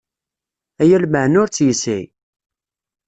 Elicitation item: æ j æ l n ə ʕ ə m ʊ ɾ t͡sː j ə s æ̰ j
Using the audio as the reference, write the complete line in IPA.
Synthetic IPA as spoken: æ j æ l m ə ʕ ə n ʊ ɾ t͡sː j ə s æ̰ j